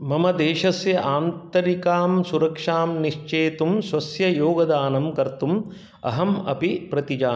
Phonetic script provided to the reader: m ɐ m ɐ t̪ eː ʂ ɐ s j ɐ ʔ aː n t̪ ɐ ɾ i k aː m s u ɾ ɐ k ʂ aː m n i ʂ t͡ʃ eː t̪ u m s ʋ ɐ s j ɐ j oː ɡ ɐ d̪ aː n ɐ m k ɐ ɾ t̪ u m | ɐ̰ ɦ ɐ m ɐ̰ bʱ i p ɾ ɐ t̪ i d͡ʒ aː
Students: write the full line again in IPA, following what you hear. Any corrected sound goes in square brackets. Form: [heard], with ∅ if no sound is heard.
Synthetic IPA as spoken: m ɐ m ɐ [d̪] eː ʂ ɐ s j ɐ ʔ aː n t̪ ɐ ɾ i k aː m s u ɾ ɐ k ʂ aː m n i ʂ t͡ʃ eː t̪ u m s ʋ ɐ s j ɐ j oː ɡ ɐ d̪ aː n ɐ m k ɐ ɾ t̪ u m | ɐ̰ ɦ ɐ m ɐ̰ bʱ i p ɾ ɐ t̪ i d͡ʒ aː